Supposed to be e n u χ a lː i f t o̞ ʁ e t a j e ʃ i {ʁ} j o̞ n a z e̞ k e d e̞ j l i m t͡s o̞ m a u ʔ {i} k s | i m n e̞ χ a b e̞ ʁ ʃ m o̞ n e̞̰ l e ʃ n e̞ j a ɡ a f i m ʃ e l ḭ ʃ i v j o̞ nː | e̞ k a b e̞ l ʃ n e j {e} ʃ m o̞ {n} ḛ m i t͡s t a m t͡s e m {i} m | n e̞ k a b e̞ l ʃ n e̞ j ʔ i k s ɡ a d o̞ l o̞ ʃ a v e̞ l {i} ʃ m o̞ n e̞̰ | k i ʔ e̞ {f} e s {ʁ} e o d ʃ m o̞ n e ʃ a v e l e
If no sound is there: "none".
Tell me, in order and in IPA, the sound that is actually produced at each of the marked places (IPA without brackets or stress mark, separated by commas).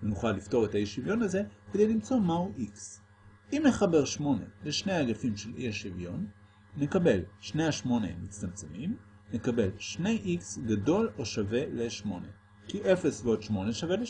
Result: v, i, a, n, i, e, f, v